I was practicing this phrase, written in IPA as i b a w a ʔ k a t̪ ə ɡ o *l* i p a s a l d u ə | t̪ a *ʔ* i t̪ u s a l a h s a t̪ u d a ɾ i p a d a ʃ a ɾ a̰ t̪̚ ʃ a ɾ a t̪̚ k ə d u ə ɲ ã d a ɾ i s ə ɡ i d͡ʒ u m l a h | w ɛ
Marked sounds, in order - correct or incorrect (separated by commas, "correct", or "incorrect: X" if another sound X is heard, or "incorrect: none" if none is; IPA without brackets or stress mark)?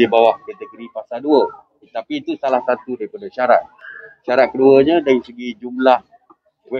incorrect: ɾ, incorrect: p